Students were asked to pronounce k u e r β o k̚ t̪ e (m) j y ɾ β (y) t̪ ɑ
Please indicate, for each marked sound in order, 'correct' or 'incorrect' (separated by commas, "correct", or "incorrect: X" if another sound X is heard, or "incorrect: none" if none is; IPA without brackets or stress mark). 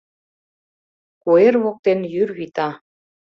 incorrect: n, incorrect: i